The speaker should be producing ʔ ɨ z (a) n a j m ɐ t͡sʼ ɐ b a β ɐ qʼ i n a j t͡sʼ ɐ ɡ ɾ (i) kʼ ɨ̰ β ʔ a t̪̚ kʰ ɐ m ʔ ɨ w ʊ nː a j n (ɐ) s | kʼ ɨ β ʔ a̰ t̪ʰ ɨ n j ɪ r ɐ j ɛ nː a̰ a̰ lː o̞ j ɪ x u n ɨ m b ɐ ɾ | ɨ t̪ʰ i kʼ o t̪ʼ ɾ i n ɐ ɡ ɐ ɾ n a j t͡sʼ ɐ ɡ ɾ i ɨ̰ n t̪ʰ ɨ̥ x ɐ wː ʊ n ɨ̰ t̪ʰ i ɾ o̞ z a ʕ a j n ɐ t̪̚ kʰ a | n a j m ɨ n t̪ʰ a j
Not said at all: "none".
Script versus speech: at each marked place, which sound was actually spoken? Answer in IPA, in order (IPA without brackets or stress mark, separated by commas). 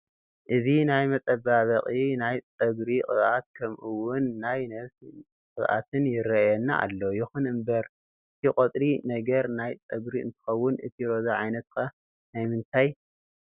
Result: i, i, ɐ